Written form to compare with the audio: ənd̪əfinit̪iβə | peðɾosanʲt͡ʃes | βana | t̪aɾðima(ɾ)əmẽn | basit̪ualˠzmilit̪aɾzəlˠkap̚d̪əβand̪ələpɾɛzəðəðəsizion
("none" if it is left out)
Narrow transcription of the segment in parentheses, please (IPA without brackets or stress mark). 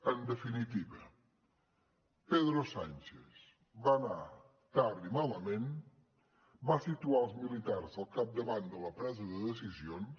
l